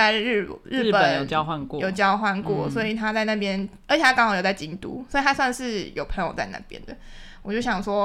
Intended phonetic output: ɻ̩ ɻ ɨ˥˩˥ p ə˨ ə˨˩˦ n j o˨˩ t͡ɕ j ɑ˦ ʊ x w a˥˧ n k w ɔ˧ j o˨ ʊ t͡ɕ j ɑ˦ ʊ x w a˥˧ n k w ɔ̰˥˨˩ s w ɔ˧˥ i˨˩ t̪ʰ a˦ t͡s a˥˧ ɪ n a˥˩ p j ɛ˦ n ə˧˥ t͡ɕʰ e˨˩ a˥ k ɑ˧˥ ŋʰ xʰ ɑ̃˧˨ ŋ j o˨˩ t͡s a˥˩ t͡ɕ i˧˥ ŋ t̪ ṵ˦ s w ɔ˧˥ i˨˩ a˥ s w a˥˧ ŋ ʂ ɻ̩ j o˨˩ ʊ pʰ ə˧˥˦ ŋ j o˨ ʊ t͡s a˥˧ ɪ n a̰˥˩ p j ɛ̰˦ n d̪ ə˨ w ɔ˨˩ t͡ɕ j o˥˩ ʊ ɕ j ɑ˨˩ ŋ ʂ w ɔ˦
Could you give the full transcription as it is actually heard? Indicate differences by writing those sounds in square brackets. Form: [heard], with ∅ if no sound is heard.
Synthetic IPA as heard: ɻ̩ ɻ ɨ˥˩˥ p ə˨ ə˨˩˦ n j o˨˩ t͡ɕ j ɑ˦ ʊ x w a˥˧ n k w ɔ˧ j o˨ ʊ t͡ɕ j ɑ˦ ʊ x w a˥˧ n k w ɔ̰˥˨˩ s w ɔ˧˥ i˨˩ t̪ʰ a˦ t͡s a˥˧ ɪ n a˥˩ p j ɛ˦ n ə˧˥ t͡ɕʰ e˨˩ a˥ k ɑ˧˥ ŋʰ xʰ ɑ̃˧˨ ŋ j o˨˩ t͡s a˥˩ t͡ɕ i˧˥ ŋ t̪ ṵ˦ s w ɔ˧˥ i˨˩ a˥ s w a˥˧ [n] ʂ ɻ̩ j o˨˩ ʊ pʰ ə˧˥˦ ŋ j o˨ ʊ t͡s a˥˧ ɪ n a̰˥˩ p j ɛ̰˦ n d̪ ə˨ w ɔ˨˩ t͡ɕ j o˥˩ ʊ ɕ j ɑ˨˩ ŋ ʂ w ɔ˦